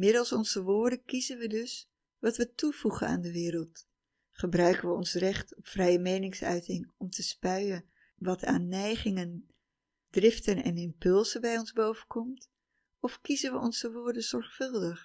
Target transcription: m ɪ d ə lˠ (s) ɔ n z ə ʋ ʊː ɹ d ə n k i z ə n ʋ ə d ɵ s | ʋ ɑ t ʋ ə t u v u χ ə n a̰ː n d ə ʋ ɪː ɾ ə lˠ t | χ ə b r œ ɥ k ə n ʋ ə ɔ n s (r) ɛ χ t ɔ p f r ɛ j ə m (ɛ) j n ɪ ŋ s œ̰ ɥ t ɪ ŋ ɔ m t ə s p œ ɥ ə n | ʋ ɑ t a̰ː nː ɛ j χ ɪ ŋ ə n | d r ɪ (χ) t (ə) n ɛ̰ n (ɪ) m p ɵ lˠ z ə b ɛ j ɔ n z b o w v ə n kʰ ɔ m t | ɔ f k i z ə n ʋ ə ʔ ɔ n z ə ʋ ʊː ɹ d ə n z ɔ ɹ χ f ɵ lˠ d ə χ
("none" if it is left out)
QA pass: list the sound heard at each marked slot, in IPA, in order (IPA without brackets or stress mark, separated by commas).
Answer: s, r, e, f, ə, ɪ